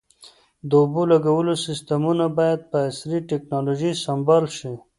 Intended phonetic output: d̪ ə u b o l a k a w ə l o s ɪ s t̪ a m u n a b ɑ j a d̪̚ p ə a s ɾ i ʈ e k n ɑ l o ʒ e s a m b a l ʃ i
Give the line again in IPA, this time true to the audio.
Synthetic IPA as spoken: d̪ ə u b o l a ɡ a w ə l o s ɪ s t̪ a m u n a b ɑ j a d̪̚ p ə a s ɾ i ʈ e k n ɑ l o ʒ i s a m b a l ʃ i